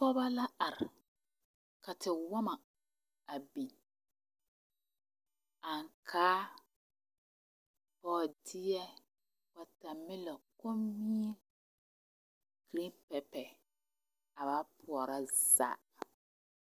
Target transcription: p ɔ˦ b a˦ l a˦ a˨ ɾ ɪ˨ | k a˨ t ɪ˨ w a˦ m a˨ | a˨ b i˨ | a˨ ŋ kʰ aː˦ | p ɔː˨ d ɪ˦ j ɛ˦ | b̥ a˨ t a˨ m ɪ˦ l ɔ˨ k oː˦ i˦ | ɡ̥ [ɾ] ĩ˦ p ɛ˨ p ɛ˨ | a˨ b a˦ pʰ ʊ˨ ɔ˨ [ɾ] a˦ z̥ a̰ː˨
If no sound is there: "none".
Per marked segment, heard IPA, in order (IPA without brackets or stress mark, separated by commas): ɾ, ɾ